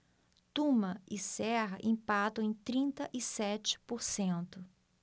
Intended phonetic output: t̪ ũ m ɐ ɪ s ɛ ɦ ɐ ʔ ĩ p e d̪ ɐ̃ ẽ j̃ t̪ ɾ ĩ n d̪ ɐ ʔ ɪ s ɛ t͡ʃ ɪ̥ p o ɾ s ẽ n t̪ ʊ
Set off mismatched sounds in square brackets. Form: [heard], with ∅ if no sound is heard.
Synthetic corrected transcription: t̪ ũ m ɐ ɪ s ɛ ɦ ɐ ʔ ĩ p [a] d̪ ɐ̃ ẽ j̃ t̪ ɾ ĩ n [t̪] ɐ ʔ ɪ s ɛ t͡ʃ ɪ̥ p o ɾ s ẽ n t̪ ʊ

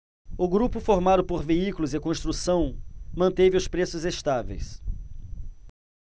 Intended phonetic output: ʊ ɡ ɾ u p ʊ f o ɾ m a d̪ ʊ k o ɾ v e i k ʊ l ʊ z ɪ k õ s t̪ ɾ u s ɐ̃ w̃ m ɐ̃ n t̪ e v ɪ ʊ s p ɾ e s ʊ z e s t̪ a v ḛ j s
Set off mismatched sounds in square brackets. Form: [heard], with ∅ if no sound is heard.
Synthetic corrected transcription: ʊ ɡ ɾ u p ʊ f o ɾ m a d̪ ʊ [p] o ɾ v e i k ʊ l ʊ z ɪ k õ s t̪ ɾ u s ɐ̃ w̃ m ɐ̃ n t̪ e v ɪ ʊ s p ɾ e s ʊ z e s t̪ a v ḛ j s

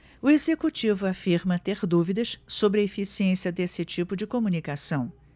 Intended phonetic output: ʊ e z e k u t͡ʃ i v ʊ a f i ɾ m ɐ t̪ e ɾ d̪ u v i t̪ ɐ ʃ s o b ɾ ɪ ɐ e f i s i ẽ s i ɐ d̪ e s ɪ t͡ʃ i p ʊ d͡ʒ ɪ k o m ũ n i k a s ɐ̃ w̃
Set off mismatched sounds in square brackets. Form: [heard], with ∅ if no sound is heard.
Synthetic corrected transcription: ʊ e z e k u t͡ʃ i v ʊ a f i ɾ m ɐ t̪ e ɾ d̪ u v i [d̪] ɐ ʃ s o b ɾ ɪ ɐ e f i s i ẽ s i ɐ d̪ e s ɪ t͡ʃ i p ʊ d͡ʒ ɪ k o m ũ n i k a s ɐ̃ w̃

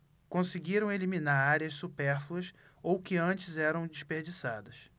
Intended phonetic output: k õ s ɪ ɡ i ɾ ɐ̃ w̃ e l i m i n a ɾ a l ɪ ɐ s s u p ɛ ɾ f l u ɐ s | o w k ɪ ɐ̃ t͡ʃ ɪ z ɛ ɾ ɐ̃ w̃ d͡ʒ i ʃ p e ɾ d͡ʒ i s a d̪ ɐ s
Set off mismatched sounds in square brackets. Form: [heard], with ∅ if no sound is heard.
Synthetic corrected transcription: k õ s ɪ ɡ i ɾ ɐ̃ w̃ e l i m i n a ɾ a [ɾ] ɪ ɐ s s u p ɛ ɾ f l u ɐ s | o w k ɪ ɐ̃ t͡ʃ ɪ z ɛ ɾ ɐ̃ w̃ d͡ʒ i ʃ p e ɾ d͡ʒ i s a d̪ ɐ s

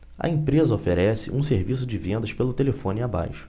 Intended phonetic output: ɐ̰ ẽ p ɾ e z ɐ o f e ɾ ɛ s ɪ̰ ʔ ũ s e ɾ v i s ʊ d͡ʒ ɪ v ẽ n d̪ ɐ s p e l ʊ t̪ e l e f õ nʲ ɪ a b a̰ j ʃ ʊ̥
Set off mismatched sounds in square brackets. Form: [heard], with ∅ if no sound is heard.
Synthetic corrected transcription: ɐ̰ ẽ p ɾ e z ɐ o f e ɾ ɛ s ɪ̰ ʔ ũ s e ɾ v i s ʊ d͡ʒ ɪ v ẽ n d̪ ɐ [ʃ] p e l ʊ t̪ e l e f õ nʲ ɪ a b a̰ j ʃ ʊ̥

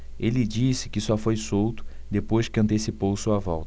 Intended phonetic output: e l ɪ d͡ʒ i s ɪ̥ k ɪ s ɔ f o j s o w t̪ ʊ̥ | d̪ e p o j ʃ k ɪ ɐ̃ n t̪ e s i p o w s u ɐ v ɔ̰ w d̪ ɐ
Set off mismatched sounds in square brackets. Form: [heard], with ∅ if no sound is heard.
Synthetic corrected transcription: e l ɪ d͡ʒ i s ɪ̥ k ɪ s ɔ f o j s o w t̪ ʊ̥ | d̪ e p o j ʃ k ɪ ɐ̃ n t̪ e s i p o w s u ɐ v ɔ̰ w [t̪] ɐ

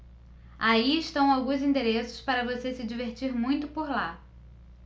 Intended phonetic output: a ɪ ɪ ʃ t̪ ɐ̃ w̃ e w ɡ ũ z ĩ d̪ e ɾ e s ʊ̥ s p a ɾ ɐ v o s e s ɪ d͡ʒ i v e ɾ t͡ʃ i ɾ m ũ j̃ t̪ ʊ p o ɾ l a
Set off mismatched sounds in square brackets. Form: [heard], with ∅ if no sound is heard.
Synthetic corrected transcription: a [i] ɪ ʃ t̪ ɐ̃ w̃ [a] w ɡ ũ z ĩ d̪ e ɾ e s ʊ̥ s p a ɾ ɐ v o s e s ɪ d͡ʒ i v e ɾ t͡ʃ i ɾ m ũ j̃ t̪ ʊ p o ɾ l a

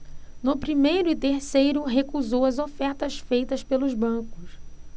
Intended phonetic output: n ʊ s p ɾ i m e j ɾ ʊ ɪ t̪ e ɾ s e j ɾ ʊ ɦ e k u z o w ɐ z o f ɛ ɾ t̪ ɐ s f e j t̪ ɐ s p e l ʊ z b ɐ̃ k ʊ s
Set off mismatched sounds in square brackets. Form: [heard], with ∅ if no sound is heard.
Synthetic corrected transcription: n ʊ [∅] p ɾ i m e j ɾ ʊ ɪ t̪ e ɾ s e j ɾ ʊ ɦ e k u z o w ɐ z o f ɛ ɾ t̪ ɐ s f e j t̪ ɐ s p e l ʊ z b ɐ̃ k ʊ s

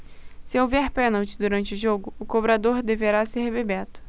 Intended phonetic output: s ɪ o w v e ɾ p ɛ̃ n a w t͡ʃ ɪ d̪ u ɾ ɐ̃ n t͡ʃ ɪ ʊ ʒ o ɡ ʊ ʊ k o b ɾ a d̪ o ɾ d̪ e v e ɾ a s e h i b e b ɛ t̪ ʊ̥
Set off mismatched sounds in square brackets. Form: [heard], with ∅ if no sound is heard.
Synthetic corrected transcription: s ɪ o w v [ɛ] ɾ p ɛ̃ n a w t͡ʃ ɪ d̪ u ɾ ɐ̃ n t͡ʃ ɪ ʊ ʒ o ɡ ʊ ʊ k o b ɾ a d̪ o ɾ d̪ e v e ɾ a s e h [e] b e b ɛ t̪ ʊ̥

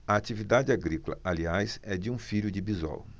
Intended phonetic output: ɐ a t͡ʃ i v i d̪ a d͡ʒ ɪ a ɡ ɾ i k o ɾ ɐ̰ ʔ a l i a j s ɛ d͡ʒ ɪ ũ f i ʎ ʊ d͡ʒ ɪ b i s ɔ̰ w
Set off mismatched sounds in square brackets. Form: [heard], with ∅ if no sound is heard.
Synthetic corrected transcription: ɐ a t͡ʃ i v i d̪ a d͡ʒ ɪ a ɡ ɾ i k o [l] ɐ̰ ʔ a l i a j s ɛ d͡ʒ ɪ ũ f i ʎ ʊ d͡ʒ ɪ b i [z] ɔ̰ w

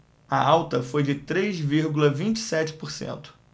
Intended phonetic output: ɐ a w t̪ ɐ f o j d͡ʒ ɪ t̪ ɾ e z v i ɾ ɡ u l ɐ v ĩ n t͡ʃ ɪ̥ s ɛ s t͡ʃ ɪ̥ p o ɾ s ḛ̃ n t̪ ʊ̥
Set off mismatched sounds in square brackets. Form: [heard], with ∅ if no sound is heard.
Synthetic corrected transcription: ɐ a w t̪ ɐ f o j d͡ʒ ɪ t̪ ɾ e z v i ɾ ɡ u l ɐ v ĩ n t͡ʃ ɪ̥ s ɛ [∅] t͡ʃ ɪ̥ p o ɾ s ḛ̃ n t̪ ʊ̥

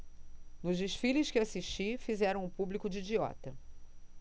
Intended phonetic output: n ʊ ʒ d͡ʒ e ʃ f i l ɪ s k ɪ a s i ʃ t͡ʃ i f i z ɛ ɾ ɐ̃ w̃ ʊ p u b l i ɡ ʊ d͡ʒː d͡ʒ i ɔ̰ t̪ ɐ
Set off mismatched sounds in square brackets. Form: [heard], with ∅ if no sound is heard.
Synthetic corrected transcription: n ʊ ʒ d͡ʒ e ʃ f i l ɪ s k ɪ a s i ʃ t͡ʃ i f i z ɛ ɾ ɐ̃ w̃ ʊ p u b l i [k] ʊ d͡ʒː d͡ʒ i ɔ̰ t̪ ɐ

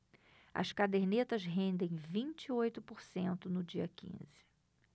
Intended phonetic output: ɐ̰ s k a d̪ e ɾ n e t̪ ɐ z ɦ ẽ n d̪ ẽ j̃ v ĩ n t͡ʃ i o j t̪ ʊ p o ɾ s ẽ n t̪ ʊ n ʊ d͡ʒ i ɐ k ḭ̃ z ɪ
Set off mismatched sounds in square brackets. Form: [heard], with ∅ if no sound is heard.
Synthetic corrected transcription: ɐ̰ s k a d̪ e ɾ n e t̪ ɐ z ɦ ẽ n d̪ ẽ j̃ v ĩ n t͡ʃ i o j t̪ ʊ p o ɾ s ẽ n t̪ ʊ n ʊ d͡ʒ i ɐ k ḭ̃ z ɪ

